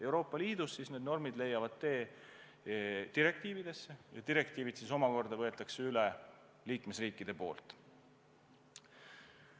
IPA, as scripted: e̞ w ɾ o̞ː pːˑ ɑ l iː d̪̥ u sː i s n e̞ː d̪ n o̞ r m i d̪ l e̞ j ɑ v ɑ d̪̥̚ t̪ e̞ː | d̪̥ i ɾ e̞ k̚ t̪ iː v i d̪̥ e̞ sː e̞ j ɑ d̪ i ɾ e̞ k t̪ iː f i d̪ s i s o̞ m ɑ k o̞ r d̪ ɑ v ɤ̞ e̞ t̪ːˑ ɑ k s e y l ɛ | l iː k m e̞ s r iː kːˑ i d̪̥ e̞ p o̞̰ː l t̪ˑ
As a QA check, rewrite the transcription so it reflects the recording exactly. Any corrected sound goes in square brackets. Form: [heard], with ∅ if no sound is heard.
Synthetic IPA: e̞ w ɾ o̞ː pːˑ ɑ l iː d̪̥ u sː i s n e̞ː d̪ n o̞ r m i d̪ l e̞ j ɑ v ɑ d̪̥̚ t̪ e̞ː | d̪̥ i ɾ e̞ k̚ t̪ iː v i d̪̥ e̞ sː e̞ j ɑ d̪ i ɾ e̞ k t̪ iː [v] i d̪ s i s o̞ m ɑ k o̞ r d̪ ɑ v ɤ̞ e̞ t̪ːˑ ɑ k s e y l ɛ | l iː k m e̞ s r iː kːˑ i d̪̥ e̞ p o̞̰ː l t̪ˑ